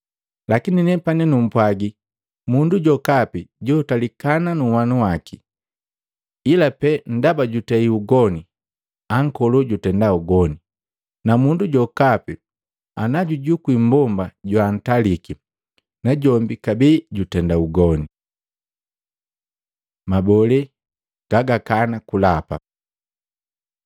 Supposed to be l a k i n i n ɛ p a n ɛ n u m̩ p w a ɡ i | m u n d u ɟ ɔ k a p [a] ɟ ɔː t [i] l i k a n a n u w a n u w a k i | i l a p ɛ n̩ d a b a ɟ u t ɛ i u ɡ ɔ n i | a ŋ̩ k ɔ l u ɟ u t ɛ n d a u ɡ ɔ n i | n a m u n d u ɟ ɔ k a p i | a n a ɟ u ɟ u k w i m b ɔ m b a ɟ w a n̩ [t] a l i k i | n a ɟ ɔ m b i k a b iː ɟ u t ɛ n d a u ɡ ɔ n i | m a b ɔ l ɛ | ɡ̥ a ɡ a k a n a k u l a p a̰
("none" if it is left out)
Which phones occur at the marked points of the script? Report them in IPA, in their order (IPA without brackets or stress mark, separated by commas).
i, a, t